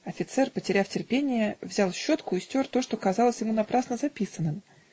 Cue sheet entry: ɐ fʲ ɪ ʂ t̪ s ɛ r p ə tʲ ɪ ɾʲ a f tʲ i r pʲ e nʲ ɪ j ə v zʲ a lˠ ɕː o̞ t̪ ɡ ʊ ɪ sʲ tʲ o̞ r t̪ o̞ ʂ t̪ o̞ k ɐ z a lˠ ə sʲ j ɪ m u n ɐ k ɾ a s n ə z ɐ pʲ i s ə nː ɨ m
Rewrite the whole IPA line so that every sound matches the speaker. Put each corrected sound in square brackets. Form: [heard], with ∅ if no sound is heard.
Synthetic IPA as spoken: ɐ fʲ ɪ [∅] t̪ s ɛ r p ə tʲ ɪ ɾʲ a f tʲ [ɪ] r pʲ e nʲ ɪ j ə v zʲ a lˠ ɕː o̞ t̪ [k] ʊ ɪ sʲ tʲ o̞ r t̪ o̞ ʂ t̪ o̞ k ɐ z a lˠ ə sʲ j ɪ m u n ɐ [p] ɾ a s n ə z ɐ pʲ i s ə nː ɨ m